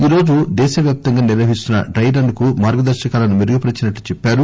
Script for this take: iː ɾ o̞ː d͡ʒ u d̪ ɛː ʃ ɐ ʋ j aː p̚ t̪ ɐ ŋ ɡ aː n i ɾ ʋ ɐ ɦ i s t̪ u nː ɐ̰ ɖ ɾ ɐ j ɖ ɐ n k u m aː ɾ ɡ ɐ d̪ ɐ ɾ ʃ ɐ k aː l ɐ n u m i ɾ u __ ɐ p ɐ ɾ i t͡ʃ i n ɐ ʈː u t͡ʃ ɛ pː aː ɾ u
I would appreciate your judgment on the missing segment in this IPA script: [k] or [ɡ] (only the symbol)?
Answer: ɡ